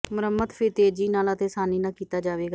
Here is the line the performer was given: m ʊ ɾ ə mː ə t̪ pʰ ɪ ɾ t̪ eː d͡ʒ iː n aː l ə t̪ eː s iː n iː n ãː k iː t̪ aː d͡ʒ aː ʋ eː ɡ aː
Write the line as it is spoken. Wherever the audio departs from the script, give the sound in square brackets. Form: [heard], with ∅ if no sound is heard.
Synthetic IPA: m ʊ ɾ ə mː ə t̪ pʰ ɪ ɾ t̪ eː d͡ʒ iː n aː l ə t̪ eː s [aː] n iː n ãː k iː t̪ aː d͡ʒ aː ʋ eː ɡ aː